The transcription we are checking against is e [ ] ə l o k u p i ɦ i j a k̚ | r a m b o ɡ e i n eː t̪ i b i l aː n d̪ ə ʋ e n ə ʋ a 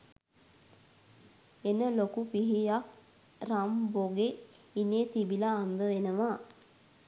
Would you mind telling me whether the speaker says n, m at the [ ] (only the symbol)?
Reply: n